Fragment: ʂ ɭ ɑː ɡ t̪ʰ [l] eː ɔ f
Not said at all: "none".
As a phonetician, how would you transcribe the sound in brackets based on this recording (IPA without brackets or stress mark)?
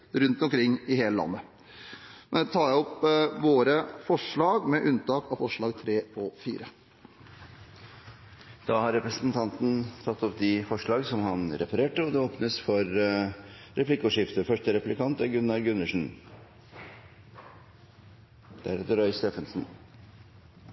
ɾ